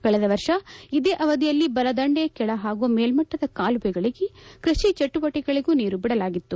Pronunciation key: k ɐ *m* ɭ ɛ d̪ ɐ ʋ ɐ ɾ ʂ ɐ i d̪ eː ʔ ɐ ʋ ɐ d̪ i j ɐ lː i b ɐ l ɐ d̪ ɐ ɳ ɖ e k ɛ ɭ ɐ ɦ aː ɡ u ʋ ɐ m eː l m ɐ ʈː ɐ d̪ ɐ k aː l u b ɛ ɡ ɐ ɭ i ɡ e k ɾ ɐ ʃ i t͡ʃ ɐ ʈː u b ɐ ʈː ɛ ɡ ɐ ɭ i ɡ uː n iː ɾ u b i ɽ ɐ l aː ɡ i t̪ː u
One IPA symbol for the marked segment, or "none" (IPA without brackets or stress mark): none